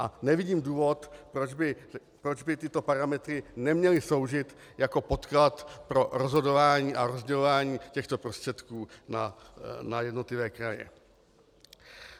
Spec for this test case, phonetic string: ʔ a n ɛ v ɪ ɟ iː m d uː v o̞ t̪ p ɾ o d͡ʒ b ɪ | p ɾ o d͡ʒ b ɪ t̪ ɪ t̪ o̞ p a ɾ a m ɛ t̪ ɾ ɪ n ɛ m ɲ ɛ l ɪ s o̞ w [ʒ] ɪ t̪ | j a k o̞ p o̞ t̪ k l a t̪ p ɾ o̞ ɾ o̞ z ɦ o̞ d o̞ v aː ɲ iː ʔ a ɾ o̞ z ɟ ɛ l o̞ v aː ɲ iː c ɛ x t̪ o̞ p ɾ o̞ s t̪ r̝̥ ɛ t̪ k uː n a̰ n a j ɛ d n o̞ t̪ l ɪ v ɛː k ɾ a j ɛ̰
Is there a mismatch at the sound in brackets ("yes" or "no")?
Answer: no